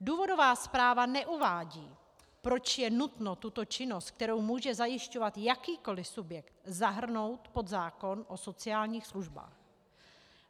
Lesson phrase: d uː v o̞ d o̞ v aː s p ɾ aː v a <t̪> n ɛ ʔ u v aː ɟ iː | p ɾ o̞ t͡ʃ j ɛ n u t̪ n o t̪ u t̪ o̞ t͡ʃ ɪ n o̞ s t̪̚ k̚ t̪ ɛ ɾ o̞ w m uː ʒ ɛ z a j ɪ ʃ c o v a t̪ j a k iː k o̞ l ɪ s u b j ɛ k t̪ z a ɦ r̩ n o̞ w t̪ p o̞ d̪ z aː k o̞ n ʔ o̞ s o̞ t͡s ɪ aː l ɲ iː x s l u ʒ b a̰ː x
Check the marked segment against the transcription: incorrect: none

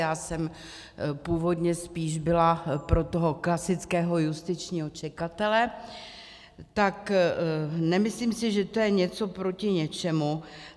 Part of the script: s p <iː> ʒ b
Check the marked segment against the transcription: correct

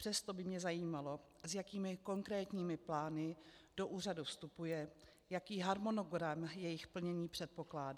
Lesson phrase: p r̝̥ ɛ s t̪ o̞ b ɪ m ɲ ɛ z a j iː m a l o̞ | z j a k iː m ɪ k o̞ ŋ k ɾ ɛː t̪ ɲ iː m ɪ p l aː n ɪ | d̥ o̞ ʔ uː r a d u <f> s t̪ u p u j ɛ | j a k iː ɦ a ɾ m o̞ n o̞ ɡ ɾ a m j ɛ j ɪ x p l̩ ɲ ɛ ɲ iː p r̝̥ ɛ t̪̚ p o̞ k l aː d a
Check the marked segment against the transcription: correct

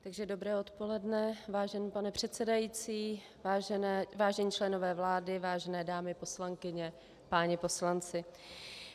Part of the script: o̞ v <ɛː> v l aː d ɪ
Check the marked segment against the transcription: correct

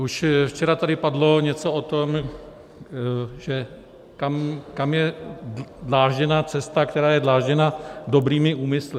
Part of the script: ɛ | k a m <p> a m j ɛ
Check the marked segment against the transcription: incorrect: k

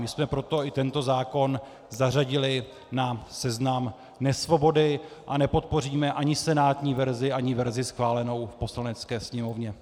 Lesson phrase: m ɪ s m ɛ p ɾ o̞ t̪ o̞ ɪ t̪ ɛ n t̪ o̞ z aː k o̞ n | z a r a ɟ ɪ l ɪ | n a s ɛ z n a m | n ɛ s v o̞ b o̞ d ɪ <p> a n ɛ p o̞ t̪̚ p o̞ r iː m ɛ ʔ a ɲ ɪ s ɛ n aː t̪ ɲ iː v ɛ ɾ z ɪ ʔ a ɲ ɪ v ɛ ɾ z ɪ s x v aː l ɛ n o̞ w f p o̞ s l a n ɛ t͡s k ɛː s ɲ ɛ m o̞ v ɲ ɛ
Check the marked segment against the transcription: incorrect: ʔ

